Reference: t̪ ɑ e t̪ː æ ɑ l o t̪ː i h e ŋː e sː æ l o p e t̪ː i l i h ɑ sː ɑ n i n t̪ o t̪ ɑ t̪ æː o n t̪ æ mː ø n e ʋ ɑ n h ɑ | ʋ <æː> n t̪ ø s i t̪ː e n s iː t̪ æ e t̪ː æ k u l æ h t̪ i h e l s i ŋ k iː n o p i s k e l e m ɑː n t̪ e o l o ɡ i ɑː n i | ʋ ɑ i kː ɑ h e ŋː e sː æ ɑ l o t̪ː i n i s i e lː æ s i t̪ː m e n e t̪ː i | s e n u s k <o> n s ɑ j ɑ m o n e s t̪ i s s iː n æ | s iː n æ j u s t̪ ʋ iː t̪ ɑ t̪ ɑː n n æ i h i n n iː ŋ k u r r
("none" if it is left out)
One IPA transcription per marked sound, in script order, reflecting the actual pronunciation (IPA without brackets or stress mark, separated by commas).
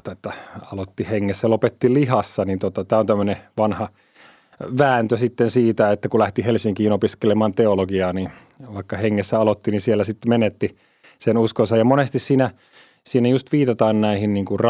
æː, o